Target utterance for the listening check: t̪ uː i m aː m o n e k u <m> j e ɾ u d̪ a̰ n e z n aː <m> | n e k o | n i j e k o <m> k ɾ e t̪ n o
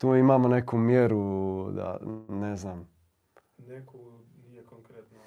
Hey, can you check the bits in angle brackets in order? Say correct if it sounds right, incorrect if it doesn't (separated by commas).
correct, correct, incorrect